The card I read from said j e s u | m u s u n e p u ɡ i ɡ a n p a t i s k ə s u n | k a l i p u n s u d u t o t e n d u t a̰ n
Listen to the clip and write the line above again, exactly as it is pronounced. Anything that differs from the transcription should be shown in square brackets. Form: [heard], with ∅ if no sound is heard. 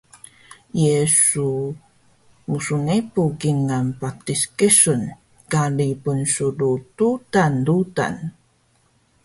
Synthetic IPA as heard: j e s u | m u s u n e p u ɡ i [ŋ] a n p a t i s k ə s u n | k a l i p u n s u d u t [u] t [a] n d u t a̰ n